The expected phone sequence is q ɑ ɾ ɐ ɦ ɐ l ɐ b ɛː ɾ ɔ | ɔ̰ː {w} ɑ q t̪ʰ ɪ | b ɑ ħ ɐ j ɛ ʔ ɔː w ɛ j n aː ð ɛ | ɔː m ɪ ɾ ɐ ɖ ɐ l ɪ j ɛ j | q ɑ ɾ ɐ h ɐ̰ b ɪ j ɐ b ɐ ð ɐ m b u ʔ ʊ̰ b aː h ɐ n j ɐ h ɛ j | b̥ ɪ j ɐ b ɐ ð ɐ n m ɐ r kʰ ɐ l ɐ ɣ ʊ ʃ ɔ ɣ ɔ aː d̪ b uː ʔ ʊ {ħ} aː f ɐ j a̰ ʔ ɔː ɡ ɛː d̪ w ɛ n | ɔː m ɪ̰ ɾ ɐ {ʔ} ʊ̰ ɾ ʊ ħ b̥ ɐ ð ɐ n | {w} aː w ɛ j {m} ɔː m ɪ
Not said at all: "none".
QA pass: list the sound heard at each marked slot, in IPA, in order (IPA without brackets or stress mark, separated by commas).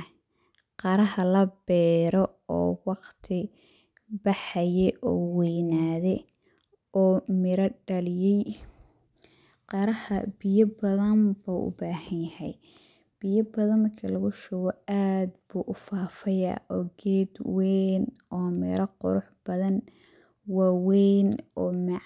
w, f, q, w, n